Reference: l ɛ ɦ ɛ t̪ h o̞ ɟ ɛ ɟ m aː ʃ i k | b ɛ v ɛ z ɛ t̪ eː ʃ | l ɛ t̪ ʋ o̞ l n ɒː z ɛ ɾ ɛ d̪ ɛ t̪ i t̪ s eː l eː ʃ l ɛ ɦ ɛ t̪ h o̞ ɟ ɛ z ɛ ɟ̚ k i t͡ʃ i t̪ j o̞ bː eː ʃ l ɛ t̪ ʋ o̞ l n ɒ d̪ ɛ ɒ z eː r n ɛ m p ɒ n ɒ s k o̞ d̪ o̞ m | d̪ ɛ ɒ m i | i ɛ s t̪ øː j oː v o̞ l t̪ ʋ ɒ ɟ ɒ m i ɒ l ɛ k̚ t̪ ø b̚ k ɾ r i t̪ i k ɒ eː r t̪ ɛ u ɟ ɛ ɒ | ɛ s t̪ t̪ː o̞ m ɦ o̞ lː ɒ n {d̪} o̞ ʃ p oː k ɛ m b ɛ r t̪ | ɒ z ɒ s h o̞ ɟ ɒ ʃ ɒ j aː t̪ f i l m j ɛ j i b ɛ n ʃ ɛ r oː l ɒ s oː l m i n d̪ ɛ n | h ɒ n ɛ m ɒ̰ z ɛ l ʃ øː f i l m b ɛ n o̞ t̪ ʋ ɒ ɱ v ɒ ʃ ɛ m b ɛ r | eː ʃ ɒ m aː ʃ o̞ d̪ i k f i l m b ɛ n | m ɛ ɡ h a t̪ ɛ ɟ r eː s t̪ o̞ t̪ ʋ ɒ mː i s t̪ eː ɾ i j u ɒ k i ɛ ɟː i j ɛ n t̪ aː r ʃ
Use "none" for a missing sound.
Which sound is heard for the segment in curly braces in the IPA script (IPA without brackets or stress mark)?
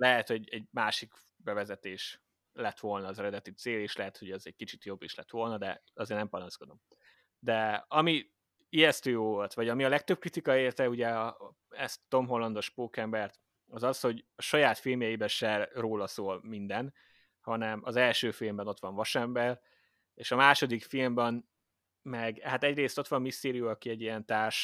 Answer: d̪